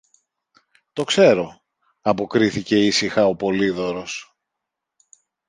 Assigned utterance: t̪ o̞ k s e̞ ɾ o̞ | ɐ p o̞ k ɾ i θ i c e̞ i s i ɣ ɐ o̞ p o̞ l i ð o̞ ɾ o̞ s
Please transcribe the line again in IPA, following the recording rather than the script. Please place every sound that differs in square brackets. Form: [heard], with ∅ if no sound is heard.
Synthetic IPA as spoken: t̪ o̞ k s e̞ ɾ o̞ | ɐ p o̞ k ɾ i θ i c e̞ i s i [x] ɐ o̞ p o̞ l i ð o̞ ɾ o̞ s